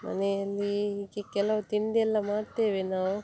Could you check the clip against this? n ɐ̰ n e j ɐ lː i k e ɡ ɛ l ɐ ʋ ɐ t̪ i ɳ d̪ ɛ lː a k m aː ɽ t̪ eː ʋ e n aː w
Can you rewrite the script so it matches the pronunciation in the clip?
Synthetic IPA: m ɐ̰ n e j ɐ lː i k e k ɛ l ɐ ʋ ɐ t̪ i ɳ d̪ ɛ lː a m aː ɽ t̪ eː ʋ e n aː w

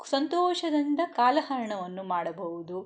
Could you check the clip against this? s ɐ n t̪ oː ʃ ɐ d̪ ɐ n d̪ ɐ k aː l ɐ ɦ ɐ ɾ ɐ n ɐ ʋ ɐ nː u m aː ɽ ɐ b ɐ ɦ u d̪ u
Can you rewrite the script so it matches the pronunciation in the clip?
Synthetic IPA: s ɐ n t̪ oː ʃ ɐ d̪ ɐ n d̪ ɐ k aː l ɐ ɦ ɐ ɾ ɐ ɳ ɐ ʋ ɐ nː u m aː ɽ ɐ b ɐ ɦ u d̪ u

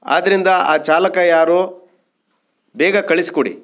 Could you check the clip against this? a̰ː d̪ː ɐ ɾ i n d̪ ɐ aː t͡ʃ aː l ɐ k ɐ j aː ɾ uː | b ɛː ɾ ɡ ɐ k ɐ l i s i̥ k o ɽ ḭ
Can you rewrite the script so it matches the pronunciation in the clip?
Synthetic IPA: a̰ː d̪ ɐ ɾ i n d̪ ɐ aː t͡ʃ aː l ɐ k ɐ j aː ɾ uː | b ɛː ɡ ɐ k ɐ ɭ i s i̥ k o ɽ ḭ

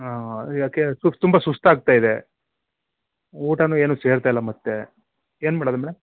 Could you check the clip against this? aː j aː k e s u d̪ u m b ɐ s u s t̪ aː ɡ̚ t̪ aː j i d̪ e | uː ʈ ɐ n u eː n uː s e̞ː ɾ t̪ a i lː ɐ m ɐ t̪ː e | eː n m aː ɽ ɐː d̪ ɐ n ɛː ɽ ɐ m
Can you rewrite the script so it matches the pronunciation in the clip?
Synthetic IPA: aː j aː k e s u t̪ u m b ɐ s u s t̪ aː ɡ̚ t̪ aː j i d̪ e | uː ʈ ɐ n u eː n uː s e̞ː ɾ t̪ a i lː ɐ m ɐ t̪ː e | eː n m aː ɽ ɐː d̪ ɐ m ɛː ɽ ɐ m

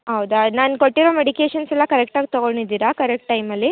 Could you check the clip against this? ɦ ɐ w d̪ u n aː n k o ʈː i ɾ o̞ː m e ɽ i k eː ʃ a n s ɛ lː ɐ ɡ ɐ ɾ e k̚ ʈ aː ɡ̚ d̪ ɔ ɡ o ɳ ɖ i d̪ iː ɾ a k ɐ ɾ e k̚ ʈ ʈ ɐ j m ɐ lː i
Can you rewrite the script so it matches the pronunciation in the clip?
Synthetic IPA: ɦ ɐ w d̪ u n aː n k o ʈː i ɾ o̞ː m e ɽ i k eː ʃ ɐ n s ɛ lː ɐ k ɐ ɾ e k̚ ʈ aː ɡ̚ t̪ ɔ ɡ o ɳ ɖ i d̪ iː ɾ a k ɐ ɾ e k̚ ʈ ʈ ɐ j m ɐ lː i

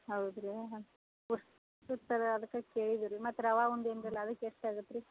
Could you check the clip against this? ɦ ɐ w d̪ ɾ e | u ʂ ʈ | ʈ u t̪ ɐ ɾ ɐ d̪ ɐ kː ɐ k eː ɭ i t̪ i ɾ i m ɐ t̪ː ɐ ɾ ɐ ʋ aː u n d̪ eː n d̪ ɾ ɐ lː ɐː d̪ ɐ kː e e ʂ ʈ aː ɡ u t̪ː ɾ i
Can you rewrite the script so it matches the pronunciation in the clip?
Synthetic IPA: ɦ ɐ w d̪ ɾ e | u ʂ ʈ | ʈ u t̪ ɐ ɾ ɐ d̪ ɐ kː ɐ k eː ɭ i d̪ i ɾ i m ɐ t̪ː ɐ ɾ ɐ ʋ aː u n d̪ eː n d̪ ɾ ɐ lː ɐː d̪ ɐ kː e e ʂ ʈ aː ɡ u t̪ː ɾ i

